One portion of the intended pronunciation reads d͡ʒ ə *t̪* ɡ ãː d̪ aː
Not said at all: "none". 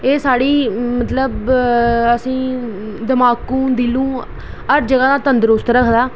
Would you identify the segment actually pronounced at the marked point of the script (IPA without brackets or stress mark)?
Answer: none